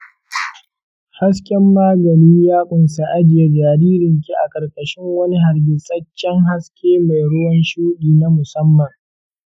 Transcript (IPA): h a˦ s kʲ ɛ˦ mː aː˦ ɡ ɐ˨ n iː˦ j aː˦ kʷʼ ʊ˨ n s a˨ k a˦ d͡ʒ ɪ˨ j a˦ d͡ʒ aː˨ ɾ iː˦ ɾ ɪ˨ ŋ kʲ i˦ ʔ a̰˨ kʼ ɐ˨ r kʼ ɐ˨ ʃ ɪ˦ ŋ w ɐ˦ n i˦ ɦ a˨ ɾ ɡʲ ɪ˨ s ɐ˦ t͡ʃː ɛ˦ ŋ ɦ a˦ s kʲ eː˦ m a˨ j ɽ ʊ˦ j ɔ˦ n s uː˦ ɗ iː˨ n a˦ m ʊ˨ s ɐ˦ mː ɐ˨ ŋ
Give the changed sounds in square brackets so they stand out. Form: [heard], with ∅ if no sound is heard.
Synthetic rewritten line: h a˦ s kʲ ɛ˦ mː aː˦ ɡ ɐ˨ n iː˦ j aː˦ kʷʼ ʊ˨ n s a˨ [ʔ] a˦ d͡ʒ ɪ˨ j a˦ d͡ʒ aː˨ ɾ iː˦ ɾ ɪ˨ ŋ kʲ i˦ ʔ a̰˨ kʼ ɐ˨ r kʼ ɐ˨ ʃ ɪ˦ ŋ w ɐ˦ n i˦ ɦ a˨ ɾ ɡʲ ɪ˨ s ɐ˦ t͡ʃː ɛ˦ ŋ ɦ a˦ s kʲ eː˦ m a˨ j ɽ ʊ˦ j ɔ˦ n [ʃ] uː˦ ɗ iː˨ n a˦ m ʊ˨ s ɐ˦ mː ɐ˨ ŋ

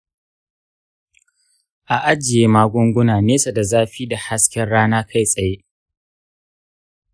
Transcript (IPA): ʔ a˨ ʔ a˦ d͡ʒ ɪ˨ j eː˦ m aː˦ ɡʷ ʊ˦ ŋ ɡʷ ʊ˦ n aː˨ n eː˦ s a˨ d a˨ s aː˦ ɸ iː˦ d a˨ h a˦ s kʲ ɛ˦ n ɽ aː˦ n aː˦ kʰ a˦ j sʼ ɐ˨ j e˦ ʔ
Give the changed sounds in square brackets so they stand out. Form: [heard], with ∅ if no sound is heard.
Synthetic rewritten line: ʔ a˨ ʔ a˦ d͡ʒ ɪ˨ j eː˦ m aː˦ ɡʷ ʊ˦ ŋ ɡʷ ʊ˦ n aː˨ n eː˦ s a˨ d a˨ [z] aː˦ ɸ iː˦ d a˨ h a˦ s kʲ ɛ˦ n ɽ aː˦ n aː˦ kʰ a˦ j sʼ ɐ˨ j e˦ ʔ

